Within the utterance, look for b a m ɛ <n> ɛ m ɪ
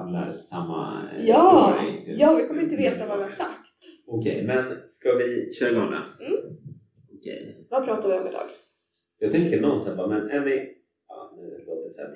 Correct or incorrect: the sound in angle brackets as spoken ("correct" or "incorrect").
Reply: correct